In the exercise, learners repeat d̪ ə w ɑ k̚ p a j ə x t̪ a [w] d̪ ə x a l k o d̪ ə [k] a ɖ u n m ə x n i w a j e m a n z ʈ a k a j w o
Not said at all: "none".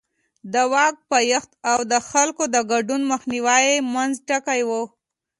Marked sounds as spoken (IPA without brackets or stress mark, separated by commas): w, ɡ